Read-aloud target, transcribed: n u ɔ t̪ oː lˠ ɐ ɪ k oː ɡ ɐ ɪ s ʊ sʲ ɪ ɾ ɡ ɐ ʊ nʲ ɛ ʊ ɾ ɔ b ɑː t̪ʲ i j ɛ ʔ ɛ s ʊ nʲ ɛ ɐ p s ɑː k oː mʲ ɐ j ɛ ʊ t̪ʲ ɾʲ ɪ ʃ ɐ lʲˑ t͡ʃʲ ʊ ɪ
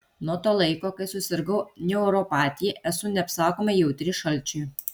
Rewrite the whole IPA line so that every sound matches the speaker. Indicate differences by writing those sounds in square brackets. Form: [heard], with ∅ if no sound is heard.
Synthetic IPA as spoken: n u ɔ t̪ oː lˠ ɐ ɪ k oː [k] ɐ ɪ s ʊ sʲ ɪ ɾ ɡ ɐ ʊ nʲ ɛ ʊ ɾ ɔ [p] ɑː t̪ʲ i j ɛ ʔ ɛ s ʊ nʲ ɛ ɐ p s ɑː k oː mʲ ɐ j ɛ ʊ t̪ʲ ɾʲ ɪ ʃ ɐ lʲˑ t͡ʃʲ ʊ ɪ